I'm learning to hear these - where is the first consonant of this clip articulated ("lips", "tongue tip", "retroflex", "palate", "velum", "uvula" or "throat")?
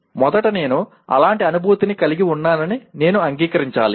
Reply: lips